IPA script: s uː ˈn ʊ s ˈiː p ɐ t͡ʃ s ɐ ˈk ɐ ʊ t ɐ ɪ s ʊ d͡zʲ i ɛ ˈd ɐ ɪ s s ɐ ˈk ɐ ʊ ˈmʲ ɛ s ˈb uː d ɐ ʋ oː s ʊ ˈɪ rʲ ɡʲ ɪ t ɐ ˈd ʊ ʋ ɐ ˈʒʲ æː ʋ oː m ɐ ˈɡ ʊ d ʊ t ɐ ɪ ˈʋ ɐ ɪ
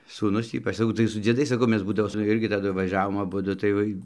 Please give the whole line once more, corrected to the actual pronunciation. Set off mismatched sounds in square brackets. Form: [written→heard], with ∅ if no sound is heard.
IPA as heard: s uː ˈn ʊ s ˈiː p ɐ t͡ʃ s ɐ ˈk ɐ ʊ t ɐ ɪ s ʊ d͡zʲ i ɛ ˈd ɐ ɪ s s ɐ ˈk ɐ ʊ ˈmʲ ɛ s ˈb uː d ɐ ʋ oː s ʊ ˈɪ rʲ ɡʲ ɪ t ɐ ˈd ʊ ʋ ɐ ˈʒʲ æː ʋ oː m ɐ [ˈɡ→ˈb] ʊ d ʊ t ɐ ɪ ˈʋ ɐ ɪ